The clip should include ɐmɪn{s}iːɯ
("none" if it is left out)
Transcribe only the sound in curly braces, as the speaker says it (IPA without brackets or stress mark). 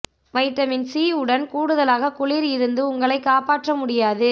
s